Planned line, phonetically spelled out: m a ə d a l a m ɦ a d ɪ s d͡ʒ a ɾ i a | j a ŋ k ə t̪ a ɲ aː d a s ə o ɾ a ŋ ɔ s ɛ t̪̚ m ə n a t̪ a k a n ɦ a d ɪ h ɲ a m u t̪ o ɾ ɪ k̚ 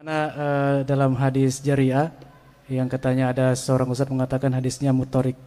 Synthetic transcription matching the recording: n a ə d a l a m ɦ a d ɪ s d͡ʒ a ɾ i a | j a ŋ k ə t̪ a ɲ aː d a s ə o ɾ a ŋ u s a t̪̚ m ə ŋ a t̪ a k a n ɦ a d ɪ s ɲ a m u t̪ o ɾ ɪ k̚